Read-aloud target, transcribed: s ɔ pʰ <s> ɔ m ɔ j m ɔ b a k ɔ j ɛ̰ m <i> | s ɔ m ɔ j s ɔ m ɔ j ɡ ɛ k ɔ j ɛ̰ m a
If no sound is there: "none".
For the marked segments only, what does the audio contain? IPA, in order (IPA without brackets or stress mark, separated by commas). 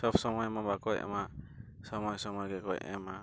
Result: s, a